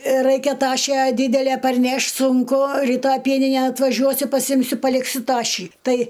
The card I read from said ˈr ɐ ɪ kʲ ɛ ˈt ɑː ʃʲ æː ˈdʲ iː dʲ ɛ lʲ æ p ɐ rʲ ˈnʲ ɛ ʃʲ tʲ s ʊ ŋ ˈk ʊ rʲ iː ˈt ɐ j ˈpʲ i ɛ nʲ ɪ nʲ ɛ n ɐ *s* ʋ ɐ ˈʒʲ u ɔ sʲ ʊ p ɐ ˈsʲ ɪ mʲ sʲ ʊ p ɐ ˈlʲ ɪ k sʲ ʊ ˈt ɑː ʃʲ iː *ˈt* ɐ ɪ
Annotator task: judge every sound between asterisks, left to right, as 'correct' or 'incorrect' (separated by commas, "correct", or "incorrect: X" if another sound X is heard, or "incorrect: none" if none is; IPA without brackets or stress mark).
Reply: incorrect: t, correct